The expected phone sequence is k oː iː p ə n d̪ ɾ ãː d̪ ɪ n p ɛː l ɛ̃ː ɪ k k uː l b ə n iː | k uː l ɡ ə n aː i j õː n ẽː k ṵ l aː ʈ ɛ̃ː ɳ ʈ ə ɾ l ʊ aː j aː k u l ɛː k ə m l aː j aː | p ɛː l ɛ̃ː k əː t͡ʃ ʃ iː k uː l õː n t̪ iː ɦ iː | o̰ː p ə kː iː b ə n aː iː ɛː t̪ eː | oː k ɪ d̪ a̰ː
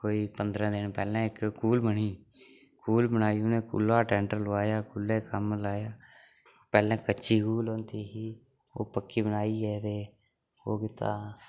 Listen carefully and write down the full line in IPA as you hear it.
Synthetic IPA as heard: k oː iː p ə n d̪ ɾ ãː d̪ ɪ n p ɛː l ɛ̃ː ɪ k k uː l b ə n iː | k uː l b ə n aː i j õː n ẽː k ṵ l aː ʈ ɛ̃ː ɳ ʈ ə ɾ l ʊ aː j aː k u l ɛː k ə m l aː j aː | p ɛː l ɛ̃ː k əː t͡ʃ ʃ iː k uː l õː n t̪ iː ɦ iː | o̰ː p ə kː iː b ə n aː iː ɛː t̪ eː | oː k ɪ t̪ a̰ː